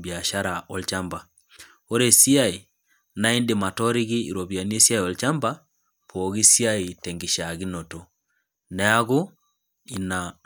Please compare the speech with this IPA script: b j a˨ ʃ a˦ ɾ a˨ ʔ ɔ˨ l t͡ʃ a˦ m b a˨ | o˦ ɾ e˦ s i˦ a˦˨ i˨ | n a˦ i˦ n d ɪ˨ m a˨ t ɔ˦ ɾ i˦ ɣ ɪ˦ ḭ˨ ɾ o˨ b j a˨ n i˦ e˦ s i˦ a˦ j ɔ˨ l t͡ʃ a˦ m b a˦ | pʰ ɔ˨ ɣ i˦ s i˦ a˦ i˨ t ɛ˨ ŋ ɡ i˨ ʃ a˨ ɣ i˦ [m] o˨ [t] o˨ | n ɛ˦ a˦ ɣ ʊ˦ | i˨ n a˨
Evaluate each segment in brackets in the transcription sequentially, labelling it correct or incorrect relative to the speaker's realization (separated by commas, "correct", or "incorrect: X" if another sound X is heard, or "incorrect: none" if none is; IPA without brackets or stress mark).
incorrect: n, correct